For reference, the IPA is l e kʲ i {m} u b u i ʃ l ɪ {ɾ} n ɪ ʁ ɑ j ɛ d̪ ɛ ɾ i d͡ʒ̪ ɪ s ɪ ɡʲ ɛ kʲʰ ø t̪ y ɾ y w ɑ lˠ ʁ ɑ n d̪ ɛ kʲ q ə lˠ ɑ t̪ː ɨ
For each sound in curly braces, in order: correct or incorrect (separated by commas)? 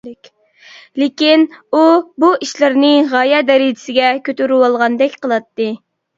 incorrect, correct